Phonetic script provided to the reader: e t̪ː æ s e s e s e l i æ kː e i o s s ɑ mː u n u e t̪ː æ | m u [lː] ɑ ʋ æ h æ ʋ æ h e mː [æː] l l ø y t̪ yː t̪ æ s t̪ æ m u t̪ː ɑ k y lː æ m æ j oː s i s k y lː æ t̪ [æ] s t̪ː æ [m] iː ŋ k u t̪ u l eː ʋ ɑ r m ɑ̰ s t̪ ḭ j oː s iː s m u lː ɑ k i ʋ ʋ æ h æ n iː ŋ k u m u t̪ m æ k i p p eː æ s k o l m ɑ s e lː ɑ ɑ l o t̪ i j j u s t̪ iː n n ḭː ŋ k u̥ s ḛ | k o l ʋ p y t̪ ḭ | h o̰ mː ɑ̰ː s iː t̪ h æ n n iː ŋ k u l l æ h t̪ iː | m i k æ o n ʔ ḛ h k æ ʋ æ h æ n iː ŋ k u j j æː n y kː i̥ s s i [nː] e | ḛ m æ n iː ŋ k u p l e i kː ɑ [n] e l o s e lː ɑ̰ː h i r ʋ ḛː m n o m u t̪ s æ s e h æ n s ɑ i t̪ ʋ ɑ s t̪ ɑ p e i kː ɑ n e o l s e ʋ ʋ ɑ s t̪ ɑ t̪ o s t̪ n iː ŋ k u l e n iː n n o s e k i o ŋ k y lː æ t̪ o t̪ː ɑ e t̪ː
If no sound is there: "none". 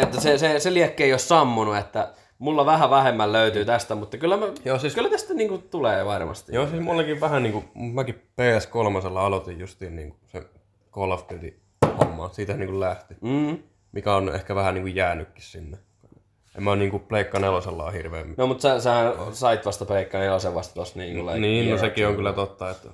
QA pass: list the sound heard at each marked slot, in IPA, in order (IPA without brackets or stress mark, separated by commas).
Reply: lː, æ, æ, n, nː, n